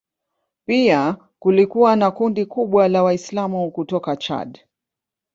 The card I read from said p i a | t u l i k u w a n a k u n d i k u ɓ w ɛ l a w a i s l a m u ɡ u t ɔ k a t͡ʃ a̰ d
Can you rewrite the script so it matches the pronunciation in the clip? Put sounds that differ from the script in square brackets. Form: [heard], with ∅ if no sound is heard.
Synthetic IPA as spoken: p i a | [k] u l i k u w a n a k u n d i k u ɓ w [a] l a w a i s l a m u [k] u t ɔ k a t͡ʃ a̰ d